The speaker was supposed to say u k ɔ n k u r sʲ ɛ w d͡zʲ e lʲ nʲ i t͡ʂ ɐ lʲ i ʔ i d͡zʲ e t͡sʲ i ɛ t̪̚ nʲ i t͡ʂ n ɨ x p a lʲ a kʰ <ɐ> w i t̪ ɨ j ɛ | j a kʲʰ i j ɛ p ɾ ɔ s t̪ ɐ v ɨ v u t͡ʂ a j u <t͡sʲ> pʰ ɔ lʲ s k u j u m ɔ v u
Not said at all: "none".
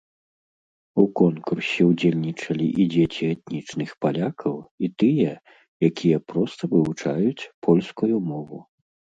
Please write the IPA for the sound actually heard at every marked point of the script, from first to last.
ɐ, t͡sʲ

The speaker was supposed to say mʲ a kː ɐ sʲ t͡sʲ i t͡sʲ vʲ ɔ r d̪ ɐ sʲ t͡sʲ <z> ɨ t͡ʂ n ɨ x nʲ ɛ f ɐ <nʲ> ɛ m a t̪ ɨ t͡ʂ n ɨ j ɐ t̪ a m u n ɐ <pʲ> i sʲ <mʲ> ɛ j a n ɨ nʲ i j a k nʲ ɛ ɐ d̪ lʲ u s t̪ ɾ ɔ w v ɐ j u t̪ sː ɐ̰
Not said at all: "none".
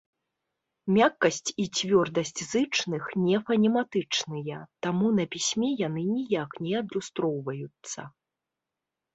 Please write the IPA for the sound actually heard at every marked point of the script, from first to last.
z, nʲ, pʲ, mʲ

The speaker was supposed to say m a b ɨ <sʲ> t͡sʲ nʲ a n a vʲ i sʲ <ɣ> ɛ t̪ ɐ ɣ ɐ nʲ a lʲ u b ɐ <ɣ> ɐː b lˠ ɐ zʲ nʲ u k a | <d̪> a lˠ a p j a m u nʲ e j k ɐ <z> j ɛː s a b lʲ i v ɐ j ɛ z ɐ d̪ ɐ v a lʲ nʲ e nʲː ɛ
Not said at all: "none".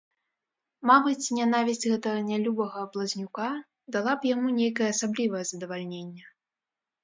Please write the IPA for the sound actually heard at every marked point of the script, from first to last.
none, ɣ, ɣ, d̪, none

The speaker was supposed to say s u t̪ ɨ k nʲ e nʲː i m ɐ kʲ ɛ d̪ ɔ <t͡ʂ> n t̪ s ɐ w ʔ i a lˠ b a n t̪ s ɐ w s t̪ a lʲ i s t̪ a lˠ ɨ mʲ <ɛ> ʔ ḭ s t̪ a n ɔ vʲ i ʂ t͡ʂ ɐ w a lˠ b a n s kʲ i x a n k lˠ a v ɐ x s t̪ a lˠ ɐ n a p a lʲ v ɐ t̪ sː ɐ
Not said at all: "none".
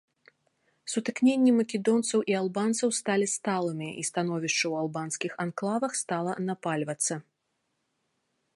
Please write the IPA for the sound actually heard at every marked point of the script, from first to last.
none, i

